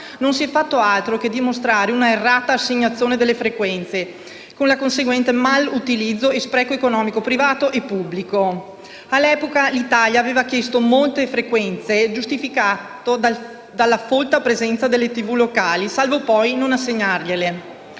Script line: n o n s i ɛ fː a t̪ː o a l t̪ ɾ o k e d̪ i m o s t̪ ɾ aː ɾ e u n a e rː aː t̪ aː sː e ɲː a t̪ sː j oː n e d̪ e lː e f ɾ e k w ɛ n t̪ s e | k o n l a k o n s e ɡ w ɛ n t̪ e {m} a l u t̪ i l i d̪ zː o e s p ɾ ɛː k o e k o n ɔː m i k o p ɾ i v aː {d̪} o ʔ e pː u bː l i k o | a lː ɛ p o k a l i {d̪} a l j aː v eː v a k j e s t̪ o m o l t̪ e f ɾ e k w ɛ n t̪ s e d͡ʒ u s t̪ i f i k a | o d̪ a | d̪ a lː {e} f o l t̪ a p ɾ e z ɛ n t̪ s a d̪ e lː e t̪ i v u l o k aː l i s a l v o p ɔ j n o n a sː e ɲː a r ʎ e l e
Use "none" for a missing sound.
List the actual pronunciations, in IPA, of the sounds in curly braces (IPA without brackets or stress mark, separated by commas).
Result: m, t̪, t̪, a